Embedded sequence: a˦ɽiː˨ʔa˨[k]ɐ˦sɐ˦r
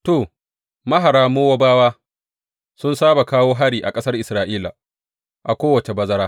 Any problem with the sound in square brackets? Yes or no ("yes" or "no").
yes